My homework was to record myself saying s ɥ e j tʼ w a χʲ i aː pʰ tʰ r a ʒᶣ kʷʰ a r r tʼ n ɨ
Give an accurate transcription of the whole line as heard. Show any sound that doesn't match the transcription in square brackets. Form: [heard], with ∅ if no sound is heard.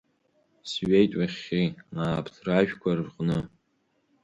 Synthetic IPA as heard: s ɥ e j tʼ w a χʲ i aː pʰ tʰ r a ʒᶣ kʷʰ a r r [qʼ] n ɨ